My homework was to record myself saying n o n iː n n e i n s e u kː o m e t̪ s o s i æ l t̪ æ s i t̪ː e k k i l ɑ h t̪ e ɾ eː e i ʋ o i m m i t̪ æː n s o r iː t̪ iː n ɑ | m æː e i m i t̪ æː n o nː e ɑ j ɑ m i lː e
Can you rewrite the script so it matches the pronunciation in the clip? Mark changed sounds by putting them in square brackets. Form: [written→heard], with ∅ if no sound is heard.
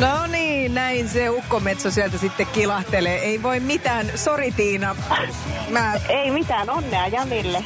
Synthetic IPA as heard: n o n iː n n [e→æ] i n s e u kː o m e t̪ s o s i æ l t̪ æ s i t̪ː e k k i l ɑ h t̪ e [ɾ→l] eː e i ʋ o i m m i t̪ æː n s o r [iː→i] t̪ iː n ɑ | m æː e i m i t̪ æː n o nː e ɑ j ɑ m i lː e